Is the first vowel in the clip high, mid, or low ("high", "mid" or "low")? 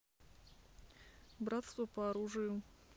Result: low